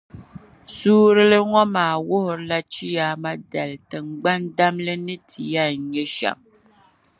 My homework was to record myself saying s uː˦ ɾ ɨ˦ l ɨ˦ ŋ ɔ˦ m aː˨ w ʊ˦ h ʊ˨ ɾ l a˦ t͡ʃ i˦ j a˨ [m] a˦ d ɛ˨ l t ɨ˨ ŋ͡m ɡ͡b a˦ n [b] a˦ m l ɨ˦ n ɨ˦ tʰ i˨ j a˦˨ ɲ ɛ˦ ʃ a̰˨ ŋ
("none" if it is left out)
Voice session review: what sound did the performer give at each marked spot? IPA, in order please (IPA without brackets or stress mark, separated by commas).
m, d